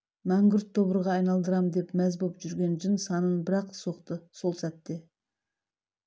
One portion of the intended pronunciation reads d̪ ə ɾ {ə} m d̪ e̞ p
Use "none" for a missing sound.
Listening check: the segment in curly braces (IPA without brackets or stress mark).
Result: ɑ